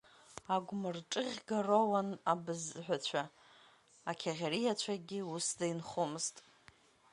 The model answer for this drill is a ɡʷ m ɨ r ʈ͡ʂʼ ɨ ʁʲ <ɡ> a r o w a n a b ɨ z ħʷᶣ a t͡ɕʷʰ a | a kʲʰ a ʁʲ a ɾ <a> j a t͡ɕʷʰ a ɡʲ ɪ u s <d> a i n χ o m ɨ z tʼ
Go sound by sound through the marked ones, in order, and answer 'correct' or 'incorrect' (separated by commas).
correct, incorrect, correct